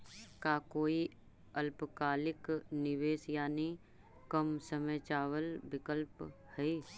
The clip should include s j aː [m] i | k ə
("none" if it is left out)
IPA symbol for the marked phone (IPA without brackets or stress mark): n